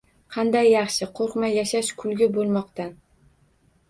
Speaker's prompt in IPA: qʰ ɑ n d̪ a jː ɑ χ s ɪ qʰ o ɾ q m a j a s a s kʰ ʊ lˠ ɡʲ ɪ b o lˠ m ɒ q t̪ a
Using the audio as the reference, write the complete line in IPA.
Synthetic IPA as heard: qʰ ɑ n d̪ a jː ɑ χ ʃ ɪ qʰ o ɾ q m a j a ʃ a ʃ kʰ ʊ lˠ ɡʲ ɪ b o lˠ m ɒ q t̪ a

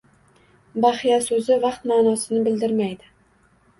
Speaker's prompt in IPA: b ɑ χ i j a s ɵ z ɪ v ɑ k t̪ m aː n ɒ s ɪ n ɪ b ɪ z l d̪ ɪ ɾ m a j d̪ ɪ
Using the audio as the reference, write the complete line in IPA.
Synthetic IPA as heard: b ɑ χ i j a s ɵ z ɪ v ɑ q t̪ m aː n ɒ s ɪ n ɪ b ɪ l d̪ ɪ ɾ m a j d̪ ɪ

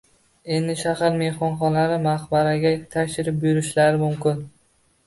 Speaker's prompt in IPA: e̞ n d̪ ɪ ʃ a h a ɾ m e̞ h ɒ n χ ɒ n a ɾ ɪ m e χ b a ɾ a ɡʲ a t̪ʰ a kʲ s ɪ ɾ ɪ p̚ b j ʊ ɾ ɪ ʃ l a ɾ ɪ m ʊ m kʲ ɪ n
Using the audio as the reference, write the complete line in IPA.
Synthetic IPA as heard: e̞ n d̪ ɪ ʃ a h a ɾ m e̞ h ɒ n χ ɒ n a ɾ ɪ m a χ b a ɾ a ɡʲ a t̪ʰ a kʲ ʃ ɪ ɾ ɪ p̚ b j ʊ ɾ ɪ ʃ l a ɾ ɪ m ʊ m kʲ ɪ n

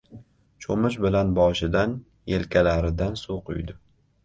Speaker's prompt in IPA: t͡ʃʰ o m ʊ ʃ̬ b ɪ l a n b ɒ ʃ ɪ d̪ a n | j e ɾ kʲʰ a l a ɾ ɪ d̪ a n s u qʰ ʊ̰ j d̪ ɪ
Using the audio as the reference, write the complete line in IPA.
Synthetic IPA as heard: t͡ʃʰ o m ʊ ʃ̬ b ɪ l a n b ɒ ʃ ɪ d̪ a n | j e l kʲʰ a l a ɾ ɪ d̪ a n s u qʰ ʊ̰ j d̪ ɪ

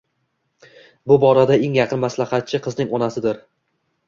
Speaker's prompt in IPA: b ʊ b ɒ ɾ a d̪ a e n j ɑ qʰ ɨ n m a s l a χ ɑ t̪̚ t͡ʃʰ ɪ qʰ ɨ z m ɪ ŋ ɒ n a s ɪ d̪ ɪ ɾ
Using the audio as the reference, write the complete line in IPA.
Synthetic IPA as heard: b ʊ b ɒ ɾ a d̪ a e ŋ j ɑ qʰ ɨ n m a s l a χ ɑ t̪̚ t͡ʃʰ ɪ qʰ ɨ z n ɪ ŋ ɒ n a s ɪ d̪ ɪ ɾ

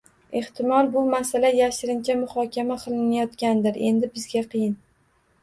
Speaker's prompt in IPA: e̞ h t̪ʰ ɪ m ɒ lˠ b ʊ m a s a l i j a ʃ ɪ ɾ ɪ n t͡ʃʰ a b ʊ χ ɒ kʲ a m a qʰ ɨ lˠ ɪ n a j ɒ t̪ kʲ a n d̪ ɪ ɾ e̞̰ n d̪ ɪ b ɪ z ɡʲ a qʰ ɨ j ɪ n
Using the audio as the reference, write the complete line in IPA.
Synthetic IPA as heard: e̞ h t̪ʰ ɪ m ɒ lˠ b ʊ m a s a l a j a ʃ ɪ ɾ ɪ n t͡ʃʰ a m ʊ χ ɒ kʲ a m a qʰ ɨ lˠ ɪ n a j ɒ t̪ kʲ a n d̪ ɪ ɾ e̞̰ n d̪ ɪ b ɪ z ɡʲ a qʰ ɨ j ɪ n

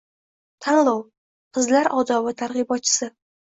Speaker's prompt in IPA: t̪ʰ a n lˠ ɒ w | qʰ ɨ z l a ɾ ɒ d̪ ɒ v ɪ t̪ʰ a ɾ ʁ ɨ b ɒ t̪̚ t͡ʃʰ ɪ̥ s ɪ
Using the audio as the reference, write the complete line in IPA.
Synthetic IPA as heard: t̪ʰ a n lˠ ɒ w | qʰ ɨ z l a ɾ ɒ d̪ ɒ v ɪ t̪ʰ a ɾ ʁ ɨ b ɒ t̪̚ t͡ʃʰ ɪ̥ s ɪ

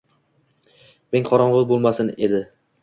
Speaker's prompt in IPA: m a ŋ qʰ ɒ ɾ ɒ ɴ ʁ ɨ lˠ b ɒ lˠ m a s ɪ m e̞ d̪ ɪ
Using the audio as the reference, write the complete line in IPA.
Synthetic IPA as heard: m e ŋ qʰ ɒ ɾ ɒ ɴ ʁ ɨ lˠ b o lˠ m a s ɪ n e̞ d̪ ɪ

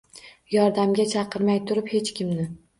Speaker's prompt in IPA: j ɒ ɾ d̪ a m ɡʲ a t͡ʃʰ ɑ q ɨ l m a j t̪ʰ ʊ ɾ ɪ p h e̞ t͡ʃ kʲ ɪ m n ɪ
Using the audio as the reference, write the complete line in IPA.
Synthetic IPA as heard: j ɒ ɾ d̪ a m ɡʲ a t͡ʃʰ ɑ q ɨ ɾ m a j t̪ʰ ʊ ɾ ɪ p h e̞ t͡ʃ kʲ ɪ m n ɪ

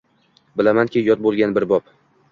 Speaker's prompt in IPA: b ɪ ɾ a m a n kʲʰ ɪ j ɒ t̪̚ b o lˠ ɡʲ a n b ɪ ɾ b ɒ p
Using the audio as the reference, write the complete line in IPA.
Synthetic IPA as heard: b ɪ l a m a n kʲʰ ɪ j ɒ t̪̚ b o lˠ ɡʲ a n b ɪ ɾ b ɒ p

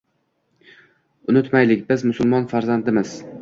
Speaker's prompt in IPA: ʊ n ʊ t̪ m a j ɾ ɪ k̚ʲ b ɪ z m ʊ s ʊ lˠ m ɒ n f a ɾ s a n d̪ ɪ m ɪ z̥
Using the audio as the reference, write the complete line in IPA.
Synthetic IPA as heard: ʊ n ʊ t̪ m a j l ɪ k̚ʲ b ɪ z m ʊ s ʊ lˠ m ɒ n f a ɾ z a n d̪ ɪ m ɪ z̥

